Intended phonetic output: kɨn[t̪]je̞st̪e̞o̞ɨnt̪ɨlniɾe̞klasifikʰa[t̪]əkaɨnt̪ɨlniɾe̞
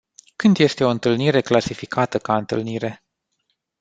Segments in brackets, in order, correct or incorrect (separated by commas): incorrect, correct